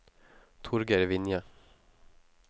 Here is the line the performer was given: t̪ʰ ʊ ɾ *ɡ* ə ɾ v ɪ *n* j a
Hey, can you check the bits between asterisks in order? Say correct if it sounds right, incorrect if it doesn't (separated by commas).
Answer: correct, correct